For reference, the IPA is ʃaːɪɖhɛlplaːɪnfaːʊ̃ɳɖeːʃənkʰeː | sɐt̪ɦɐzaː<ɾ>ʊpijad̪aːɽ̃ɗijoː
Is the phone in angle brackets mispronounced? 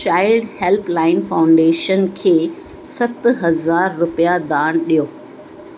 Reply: yes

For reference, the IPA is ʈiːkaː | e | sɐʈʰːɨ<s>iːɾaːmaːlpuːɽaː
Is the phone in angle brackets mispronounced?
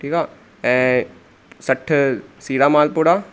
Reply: no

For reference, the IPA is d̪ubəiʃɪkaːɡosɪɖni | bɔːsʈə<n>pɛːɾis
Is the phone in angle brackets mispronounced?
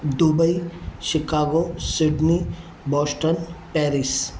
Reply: no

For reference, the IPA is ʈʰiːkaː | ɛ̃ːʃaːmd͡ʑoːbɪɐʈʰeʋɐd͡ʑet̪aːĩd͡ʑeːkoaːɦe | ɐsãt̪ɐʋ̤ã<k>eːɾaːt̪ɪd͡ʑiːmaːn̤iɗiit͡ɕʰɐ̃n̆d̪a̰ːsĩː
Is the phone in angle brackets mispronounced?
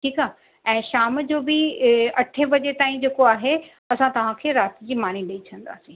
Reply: yes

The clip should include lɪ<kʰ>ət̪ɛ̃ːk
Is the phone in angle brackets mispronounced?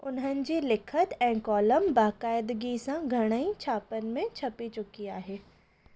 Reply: no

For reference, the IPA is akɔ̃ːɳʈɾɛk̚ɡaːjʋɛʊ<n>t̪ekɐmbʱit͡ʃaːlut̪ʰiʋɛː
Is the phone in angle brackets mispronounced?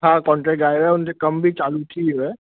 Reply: no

